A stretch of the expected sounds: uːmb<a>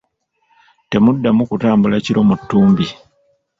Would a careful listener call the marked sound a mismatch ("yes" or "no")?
yes